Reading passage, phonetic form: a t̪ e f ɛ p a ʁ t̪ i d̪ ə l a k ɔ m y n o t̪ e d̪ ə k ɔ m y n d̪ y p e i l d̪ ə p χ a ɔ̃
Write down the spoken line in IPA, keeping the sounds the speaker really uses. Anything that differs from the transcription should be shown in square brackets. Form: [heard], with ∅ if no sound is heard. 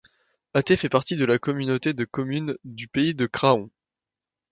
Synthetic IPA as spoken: a t̪ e f ɛ p a ʁ t̪ i d̪ ə l a k ɔ m y n o t̪ e d̪ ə k ɔ m y n d̪ y p e i [∅] d̪ ə [k] χ a ɔ̃